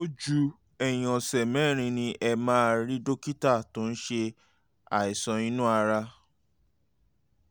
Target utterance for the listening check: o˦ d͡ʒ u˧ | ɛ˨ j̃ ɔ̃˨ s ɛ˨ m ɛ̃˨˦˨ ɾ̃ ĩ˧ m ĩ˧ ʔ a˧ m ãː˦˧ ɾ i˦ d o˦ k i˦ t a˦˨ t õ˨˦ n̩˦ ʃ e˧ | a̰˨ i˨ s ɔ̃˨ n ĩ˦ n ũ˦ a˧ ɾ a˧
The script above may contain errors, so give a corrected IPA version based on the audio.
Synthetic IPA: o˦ d͡ʒ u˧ | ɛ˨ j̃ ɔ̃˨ s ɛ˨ m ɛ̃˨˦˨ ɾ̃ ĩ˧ n ĩ˧ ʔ ɛ˧ m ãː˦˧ ɾ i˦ d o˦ k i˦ t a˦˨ t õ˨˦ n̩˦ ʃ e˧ | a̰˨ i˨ s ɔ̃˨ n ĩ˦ n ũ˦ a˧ ɾ a˧